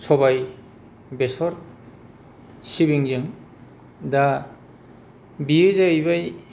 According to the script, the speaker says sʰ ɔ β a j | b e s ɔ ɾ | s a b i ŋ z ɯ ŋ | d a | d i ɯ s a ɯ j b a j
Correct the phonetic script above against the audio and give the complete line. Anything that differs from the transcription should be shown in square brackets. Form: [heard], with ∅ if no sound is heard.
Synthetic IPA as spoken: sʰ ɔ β a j | b e s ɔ ɾ | s [i] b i ŋ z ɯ ŋ | d a | [b] i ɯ [z] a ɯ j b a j